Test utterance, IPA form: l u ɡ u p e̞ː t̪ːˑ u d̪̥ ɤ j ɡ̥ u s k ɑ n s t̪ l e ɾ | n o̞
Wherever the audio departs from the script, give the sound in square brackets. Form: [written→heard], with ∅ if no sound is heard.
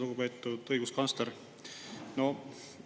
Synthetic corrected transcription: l u ɡ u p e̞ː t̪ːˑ u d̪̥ ɤ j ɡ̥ u s k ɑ n s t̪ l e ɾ | n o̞